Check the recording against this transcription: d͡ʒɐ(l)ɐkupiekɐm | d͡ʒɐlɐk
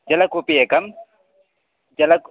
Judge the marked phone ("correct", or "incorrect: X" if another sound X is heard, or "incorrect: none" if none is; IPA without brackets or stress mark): correct